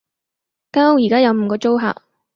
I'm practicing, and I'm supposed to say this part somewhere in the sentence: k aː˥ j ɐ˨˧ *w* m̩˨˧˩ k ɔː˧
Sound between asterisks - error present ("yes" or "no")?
no